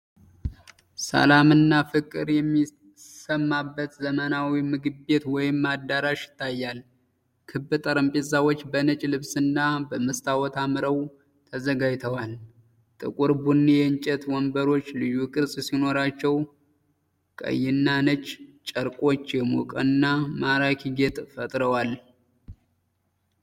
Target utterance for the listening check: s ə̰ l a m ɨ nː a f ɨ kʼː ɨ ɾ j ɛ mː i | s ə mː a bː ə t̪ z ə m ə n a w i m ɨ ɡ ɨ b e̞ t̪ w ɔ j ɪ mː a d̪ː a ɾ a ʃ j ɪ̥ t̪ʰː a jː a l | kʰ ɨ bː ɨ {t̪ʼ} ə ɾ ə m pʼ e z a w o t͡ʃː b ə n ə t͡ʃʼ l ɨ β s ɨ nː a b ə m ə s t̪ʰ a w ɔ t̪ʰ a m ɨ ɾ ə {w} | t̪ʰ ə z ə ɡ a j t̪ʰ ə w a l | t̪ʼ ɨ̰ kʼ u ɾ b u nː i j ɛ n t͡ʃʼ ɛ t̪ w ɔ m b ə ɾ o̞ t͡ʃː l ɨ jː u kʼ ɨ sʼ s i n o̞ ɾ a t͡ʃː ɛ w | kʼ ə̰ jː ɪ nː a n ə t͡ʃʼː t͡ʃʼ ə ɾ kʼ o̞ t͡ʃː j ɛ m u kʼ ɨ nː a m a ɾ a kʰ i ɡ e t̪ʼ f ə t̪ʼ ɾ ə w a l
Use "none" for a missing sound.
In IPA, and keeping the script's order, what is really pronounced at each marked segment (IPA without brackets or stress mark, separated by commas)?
t̪ʼ, w